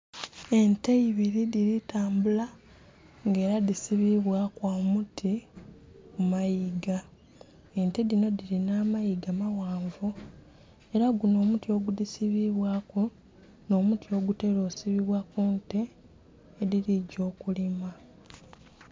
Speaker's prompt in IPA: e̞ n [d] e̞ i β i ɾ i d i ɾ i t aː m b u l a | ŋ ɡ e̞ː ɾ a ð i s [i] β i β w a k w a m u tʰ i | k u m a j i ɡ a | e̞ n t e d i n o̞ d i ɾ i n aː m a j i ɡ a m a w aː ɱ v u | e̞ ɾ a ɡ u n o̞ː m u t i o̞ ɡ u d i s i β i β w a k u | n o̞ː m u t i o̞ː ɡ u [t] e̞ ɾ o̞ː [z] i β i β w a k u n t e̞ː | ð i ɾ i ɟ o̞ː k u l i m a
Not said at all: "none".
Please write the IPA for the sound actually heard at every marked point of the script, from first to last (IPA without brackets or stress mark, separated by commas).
t, i, t, s